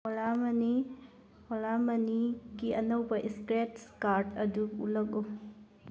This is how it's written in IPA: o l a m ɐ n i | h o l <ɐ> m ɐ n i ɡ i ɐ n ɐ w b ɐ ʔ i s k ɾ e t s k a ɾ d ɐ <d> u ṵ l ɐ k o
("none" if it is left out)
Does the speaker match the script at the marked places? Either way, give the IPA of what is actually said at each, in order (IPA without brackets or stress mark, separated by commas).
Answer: a, d